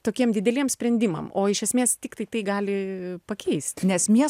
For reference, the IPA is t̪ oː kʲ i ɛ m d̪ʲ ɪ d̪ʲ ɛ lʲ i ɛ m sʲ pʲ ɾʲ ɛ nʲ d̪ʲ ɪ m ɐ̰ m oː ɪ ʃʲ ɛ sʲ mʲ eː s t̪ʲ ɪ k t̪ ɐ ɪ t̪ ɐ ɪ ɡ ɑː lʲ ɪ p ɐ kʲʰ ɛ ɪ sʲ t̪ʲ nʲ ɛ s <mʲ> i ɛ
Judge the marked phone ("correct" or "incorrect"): correct